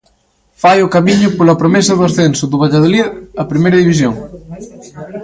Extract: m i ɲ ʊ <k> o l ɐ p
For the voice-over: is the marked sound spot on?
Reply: no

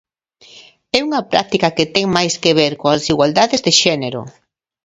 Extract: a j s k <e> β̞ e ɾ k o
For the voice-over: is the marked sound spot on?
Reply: yes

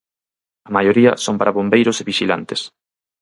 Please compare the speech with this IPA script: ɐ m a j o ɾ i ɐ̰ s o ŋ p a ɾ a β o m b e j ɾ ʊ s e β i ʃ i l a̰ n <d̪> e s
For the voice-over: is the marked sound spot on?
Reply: no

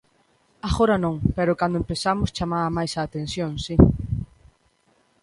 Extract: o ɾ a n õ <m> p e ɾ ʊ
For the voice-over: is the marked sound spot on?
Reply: no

